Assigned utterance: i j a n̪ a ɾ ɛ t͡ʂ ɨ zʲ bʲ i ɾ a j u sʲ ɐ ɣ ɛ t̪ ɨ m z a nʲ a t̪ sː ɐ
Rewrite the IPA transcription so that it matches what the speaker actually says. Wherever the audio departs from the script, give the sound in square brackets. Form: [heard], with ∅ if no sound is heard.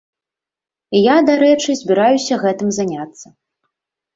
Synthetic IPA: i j a [d̪] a ɾ ɛ t͡ʂ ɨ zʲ bʲ i ɾ a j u sʲ ɐ ɣ ɛ t̪ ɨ m z a nʲ a t̪ sː ɐ